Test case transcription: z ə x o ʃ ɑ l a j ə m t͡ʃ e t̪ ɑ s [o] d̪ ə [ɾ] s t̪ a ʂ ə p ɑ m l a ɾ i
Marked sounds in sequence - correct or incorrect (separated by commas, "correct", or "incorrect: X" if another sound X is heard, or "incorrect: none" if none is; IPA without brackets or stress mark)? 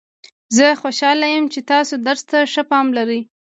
correct, correct